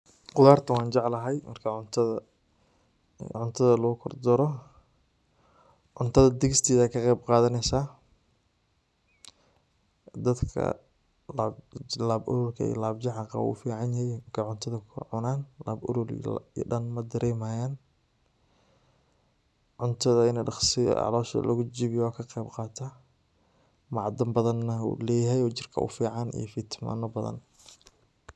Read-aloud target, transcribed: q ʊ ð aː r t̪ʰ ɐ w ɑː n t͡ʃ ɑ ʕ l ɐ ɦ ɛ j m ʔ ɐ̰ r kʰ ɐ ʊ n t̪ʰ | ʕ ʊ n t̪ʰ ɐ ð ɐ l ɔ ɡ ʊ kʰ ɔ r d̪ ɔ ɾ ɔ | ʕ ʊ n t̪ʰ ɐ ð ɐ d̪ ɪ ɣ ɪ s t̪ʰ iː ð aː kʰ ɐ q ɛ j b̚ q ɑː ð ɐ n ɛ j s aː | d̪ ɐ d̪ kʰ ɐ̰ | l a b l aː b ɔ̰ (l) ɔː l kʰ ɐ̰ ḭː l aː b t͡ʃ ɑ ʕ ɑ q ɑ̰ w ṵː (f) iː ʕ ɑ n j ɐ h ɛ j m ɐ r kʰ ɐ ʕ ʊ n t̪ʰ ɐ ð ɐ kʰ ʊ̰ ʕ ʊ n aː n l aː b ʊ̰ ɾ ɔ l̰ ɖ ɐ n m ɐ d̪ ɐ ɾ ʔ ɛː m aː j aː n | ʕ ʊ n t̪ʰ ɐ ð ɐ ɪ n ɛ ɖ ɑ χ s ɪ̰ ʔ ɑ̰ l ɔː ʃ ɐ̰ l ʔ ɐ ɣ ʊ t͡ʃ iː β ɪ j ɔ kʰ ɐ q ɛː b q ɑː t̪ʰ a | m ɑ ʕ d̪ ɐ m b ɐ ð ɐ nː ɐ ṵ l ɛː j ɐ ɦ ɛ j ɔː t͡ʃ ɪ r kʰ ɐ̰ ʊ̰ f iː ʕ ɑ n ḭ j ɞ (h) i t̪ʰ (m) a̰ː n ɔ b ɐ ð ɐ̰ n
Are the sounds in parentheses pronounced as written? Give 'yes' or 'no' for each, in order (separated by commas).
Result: no, yes, no, yes